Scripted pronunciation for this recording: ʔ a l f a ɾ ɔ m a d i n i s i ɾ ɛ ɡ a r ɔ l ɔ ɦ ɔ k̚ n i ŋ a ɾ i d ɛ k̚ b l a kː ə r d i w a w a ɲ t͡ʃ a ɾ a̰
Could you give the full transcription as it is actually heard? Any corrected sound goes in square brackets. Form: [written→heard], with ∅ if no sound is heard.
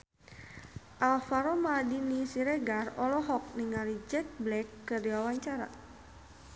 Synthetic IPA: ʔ a l f a ɾ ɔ m a d i n i s i ɾ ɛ ɡ a r ɔ l ɔ ɦ ɔ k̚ n i ŋ a ɾ i [d→d͡ʒ] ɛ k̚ b l [a→ɛ] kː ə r d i w a w a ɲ t͡ʃ a ɾ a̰

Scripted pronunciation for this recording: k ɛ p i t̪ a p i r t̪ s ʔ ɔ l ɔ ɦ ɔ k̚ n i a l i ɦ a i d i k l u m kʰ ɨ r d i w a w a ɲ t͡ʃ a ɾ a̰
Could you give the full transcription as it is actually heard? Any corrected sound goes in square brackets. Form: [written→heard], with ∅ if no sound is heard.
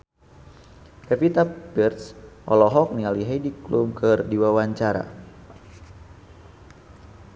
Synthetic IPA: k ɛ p i t̪ a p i r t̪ s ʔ ɔ l ɔ ɦ ɔ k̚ n i a l i ɦ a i d i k l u m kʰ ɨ r d i w a w a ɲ t͡ʃ a ɾ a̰

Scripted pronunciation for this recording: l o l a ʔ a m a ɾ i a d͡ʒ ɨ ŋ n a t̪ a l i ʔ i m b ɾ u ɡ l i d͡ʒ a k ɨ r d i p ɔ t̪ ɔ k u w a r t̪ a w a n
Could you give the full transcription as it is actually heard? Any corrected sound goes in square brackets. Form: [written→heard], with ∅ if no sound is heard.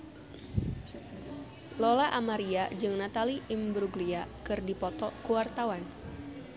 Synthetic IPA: l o l a ʔ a m a ɾ i a d͡ʒ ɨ ŋ n a t̪ a l i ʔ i m b ɾ u ɡ l i [d͡ʒ→∅] a k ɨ r d i p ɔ t̪ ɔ k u w a r t̪ a w a n

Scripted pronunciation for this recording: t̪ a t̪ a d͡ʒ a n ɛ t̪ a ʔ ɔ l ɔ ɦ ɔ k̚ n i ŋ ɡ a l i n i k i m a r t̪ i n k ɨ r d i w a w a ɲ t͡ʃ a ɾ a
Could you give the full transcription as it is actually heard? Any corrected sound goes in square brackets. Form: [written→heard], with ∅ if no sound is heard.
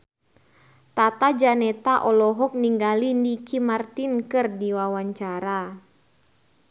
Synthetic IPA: t̪ a t̪ a d͡ʒ a n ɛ t̪ a ʔ ɔ l ɔ ɦ ɔ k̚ n i ŋ ɡ a l i n i k i m a r t̪ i n k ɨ r d i w a w a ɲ t͡ʃ a ɾ a

